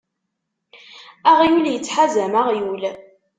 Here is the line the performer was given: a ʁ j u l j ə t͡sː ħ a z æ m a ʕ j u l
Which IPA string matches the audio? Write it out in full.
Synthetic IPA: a ʁ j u l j ə t͡sː ħ a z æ m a ʁ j u l